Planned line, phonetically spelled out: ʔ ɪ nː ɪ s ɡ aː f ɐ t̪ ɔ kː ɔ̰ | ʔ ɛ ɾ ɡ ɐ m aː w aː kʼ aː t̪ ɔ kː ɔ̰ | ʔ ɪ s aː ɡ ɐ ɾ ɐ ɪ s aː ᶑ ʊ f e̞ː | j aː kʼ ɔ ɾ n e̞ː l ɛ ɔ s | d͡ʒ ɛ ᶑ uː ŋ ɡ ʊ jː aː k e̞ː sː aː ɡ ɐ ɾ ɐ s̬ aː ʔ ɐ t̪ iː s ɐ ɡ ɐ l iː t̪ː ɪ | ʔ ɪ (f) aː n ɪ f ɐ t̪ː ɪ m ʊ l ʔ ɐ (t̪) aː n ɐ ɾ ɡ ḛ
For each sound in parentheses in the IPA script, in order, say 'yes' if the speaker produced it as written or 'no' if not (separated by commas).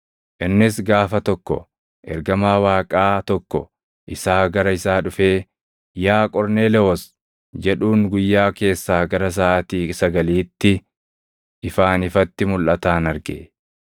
yes, yes